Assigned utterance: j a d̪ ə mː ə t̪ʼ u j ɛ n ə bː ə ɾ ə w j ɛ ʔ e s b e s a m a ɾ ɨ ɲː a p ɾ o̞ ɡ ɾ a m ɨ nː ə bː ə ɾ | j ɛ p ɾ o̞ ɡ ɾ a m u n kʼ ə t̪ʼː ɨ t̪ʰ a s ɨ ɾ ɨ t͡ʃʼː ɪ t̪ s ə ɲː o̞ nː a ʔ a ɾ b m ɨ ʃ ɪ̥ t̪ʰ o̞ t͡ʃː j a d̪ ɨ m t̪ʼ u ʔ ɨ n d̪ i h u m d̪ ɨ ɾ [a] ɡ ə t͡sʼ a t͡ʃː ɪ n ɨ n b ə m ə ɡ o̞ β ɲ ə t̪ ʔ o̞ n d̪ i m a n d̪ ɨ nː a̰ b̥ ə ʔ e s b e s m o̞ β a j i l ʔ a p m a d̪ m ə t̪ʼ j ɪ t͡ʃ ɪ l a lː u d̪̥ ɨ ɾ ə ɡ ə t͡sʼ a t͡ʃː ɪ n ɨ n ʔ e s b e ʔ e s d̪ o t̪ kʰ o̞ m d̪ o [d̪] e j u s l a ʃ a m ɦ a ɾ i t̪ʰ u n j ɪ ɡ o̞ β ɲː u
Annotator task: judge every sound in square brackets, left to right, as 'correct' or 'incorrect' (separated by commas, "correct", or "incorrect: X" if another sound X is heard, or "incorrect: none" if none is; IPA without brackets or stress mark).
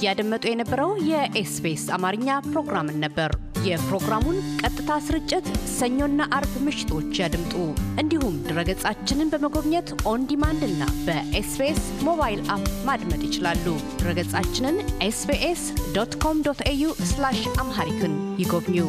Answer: incorrect: ə, incorrect: t̪